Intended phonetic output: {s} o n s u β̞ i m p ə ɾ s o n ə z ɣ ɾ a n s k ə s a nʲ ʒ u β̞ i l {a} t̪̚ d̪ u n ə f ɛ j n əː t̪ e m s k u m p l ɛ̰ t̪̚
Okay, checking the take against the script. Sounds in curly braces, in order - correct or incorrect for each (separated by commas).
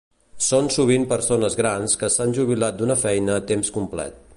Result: correct, correct